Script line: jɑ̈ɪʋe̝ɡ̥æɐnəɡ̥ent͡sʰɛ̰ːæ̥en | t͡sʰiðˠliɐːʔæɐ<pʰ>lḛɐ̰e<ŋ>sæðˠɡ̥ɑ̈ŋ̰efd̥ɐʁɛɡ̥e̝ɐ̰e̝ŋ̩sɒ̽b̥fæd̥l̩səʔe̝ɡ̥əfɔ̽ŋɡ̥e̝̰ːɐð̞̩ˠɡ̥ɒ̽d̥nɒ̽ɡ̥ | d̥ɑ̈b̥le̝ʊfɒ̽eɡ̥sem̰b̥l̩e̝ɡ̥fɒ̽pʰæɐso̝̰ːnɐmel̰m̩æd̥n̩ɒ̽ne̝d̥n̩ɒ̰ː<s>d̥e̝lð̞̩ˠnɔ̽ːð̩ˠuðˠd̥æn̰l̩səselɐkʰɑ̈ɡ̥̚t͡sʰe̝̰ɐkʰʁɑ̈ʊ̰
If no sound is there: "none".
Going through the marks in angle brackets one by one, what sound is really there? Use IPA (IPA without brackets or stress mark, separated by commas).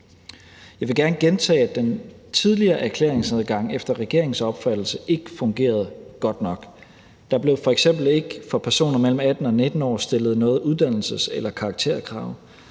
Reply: kʰ, ŋ, s